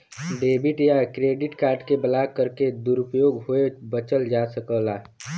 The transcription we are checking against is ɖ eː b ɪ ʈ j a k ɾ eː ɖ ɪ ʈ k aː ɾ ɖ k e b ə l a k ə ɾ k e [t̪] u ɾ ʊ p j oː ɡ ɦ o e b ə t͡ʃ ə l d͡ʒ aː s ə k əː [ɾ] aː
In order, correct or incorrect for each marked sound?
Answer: incorrect, incorrect

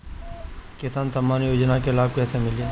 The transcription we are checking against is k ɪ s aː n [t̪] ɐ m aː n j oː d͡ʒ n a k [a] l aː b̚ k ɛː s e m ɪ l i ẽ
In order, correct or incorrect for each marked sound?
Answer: correct, incorrect

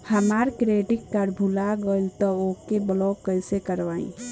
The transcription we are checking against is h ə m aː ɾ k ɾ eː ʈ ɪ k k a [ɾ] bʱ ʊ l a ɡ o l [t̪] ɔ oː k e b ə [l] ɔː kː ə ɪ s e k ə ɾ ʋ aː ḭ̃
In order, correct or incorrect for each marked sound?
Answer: correct, correct, correct

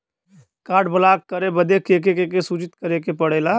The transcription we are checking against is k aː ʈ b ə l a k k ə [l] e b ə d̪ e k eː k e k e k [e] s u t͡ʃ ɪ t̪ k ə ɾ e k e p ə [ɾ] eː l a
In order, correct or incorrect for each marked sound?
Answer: incorrect, correct, incorrect

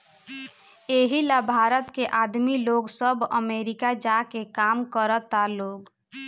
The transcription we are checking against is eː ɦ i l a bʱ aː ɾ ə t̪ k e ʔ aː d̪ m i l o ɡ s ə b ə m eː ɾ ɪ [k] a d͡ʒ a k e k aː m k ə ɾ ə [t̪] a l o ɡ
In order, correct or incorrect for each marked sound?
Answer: correct, correct

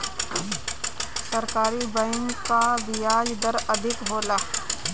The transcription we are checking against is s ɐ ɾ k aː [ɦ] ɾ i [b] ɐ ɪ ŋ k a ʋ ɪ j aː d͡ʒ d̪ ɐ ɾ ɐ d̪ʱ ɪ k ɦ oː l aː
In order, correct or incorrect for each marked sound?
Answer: incorrect, correct

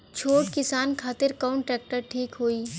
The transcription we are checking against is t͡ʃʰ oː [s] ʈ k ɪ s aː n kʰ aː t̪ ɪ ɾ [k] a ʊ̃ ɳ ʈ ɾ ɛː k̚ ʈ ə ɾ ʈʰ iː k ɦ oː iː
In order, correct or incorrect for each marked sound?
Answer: incorrect, correct

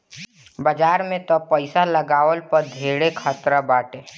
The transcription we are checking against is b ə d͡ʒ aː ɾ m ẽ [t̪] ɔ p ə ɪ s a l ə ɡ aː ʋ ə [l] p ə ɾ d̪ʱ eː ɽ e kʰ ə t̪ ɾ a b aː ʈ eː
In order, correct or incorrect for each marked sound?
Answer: correct, correct

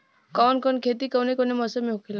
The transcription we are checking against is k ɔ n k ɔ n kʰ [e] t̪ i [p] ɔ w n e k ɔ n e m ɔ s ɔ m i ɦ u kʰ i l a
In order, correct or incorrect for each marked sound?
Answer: correct, incorrect

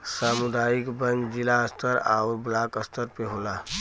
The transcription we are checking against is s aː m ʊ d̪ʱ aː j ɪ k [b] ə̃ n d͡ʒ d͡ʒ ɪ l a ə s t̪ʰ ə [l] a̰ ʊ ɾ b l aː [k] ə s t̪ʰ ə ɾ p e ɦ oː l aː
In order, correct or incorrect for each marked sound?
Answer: correct, incorrect, correct

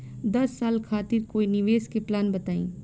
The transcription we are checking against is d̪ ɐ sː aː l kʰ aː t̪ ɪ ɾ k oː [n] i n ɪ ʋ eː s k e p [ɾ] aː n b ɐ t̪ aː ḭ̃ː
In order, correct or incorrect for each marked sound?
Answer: incorrect, incorrect

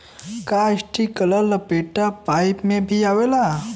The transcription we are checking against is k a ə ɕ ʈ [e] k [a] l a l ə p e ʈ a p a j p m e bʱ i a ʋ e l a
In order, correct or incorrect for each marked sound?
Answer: incorrect, incorrect

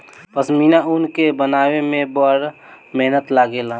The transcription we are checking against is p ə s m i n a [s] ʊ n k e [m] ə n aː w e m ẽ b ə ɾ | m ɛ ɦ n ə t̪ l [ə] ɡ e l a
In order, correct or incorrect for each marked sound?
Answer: incorrect, incorrect, incorrect

